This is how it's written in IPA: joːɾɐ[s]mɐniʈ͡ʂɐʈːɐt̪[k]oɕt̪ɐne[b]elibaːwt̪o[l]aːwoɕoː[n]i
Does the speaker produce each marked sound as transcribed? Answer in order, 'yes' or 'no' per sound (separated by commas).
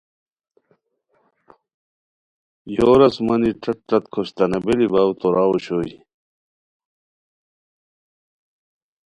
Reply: yes, no, yes, no, no